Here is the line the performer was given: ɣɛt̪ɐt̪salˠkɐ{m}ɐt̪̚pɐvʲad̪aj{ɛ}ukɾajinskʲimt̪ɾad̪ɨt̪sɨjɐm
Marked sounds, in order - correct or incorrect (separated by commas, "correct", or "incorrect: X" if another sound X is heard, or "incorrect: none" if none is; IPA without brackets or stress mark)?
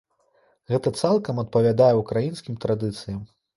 correct, correct